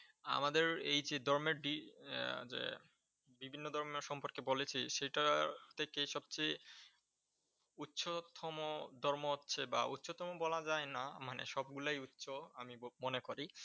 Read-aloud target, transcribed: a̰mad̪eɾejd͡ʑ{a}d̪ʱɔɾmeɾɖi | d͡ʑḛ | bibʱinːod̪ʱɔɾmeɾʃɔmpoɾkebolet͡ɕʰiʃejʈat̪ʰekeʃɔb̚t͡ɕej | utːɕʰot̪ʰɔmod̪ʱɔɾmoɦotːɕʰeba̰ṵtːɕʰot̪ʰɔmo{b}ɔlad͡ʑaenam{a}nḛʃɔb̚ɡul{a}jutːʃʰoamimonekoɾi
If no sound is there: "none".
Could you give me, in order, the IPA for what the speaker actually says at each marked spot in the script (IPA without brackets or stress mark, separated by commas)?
e, b, a, a